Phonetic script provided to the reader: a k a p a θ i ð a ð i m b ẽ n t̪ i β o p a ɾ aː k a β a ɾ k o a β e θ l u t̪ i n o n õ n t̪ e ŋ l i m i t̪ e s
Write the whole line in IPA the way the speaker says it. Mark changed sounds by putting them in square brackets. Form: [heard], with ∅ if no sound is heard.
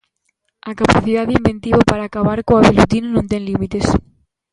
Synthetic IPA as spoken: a k a p a θ i ð a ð i m b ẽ n t̪ i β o p a ɾ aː k a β a ɾ k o a β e [∅] l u t̪ i n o n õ n t̪ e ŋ l i m i t̪ e s